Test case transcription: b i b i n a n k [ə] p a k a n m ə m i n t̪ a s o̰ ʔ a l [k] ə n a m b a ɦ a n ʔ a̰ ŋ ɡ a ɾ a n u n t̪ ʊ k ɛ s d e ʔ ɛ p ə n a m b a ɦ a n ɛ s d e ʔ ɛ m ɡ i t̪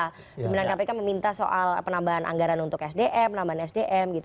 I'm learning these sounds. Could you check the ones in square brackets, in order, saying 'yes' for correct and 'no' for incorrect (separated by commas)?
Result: no, no